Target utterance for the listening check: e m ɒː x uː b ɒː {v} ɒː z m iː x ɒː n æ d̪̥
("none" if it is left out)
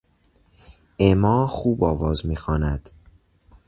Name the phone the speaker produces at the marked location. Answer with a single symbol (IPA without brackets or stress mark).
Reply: v